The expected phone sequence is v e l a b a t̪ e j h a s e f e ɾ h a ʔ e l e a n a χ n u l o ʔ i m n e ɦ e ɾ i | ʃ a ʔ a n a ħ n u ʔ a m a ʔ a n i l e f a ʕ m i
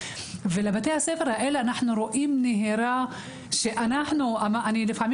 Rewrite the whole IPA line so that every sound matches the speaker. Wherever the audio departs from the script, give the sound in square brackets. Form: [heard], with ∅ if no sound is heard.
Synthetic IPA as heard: v e l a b a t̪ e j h a s e f e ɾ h a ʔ e l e a n a [ħ] n u [ɾ] o ʔ i m n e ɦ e ɾ [a] | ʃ [e] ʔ a n a ħ n u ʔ a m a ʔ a n i l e f a ʕ m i